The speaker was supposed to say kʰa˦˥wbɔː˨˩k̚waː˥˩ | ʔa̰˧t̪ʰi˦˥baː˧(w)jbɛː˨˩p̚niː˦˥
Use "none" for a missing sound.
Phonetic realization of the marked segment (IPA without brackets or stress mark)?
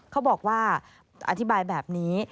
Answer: none